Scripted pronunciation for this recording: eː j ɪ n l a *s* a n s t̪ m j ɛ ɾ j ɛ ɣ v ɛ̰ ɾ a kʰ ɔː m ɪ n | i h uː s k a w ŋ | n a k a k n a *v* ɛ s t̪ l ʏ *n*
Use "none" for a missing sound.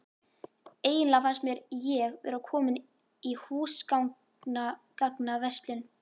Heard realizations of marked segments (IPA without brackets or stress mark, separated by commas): f, v, n